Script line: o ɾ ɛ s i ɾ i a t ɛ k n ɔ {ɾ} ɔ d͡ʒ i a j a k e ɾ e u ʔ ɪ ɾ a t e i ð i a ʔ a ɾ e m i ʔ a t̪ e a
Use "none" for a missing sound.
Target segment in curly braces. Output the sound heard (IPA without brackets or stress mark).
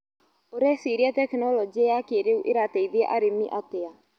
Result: l